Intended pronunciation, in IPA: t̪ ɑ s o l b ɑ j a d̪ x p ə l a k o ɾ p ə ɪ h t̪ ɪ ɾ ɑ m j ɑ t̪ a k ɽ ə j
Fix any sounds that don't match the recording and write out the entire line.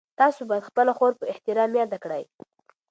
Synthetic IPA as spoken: t̪ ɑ s o b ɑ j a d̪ x p ə l a x o ɾ p ə ɪ h t̪ ɪ ɾ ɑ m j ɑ d̪ a k ɽ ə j

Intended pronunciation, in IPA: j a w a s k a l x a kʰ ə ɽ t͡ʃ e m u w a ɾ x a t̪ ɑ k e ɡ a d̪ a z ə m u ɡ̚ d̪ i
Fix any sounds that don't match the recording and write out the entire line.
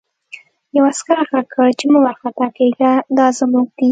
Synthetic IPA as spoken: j a w a s k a ɾ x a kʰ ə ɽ t͡ʃ e m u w a ɾ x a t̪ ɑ k e ɡ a d̪ ɑ z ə m u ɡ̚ d̪ i

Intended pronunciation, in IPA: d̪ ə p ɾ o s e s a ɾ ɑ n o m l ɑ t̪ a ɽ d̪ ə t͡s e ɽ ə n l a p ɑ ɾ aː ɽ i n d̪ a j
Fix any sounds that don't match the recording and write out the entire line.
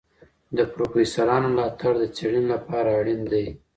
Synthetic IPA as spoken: d̪ ə p ɾ o f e s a ɾ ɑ n o m l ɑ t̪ a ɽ d̪ ə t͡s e ɽ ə n l a p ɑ ɾ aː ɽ i n d̪ a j

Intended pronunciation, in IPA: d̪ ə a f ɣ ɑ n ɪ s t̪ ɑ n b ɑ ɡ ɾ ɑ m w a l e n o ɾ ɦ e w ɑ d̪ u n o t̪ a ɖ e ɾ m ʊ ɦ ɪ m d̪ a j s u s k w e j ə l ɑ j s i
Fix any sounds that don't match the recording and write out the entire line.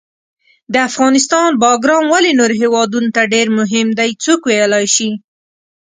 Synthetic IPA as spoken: d̪ ə a f ɣ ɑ n ɪ s t̪ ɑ n b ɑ ɡ ɾ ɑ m w a l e n o ɾ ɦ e w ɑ d̪ u n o t̪ a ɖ e ɾ m ʊ ɦ ɪ m d̪ a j t͡s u k w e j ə l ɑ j ʃ i

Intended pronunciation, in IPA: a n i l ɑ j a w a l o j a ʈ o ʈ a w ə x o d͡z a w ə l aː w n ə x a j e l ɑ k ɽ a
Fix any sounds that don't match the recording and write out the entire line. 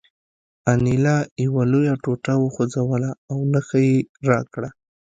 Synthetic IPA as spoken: a n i l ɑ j a w a l o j a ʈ o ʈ a w ə x o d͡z a w ə l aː w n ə x a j e ɾ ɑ k ɽ a

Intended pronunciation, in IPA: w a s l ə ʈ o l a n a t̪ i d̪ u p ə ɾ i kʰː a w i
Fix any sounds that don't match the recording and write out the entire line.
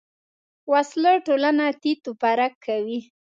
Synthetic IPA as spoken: w a s l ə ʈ o l a n a t̪ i t̪ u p a ɾ a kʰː a w i

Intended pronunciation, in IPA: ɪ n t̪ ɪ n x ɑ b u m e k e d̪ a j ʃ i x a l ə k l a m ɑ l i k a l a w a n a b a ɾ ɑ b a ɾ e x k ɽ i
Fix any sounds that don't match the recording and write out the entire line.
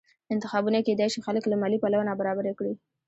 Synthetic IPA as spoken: ɪ n t̪ ɪ x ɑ b u n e k e d̪ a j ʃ i x a l ə k l a m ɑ l i p a l a w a n a b a ɾ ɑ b a ɾ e k ɽ i

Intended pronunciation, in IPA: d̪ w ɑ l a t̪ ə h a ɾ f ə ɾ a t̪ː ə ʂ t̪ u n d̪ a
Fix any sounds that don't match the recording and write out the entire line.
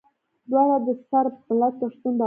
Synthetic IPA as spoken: d̪ w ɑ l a d̪ ə s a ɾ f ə l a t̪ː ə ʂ t̪ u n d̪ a

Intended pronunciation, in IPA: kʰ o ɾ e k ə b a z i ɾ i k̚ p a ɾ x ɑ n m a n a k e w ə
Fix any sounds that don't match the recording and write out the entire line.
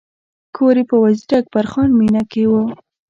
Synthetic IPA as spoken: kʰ o ɾ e p ə w a z i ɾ a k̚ p a ɾ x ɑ n m i n a k e w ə

